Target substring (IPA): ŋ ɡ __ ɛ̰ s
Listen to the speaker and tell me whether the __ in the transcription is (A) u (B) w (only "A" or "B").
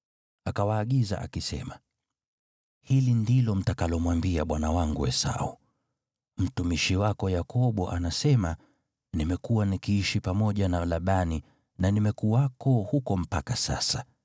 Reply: A